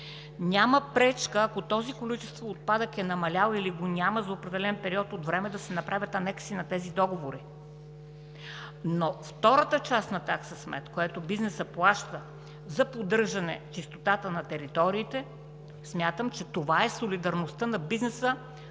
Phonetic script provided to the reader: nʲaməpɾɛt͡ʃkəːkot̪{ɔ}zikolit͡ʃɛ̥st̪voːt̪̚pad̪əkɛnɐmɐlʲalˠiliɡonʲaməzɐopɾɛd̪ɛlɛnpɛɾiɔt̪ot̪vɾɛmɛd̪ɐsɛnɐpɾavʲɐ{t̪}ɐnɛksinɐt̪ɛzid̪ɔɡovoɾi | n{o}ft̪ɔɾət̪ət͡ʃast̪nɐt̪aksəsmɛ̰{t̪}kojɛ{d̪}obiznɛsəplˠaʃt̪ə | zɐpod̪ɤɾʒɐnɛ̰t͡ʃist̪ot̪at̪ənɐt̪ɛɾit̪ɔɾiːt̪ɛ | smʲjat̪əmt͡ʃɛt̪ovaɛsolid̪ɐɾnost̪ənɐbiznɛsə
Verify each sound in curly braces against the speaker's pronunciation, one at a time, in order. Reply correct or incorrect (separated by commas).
correct, correct, correct, correct, incorrect